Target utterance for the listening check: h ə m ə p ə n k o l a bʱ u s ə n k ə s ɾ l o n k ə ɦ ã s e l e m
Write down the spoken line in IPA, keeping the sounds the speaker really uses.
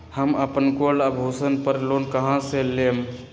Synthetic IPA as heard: h ə m ə p ə n k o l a bʱ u s ə n p ə ɾ l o n k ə ɦ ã s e l e m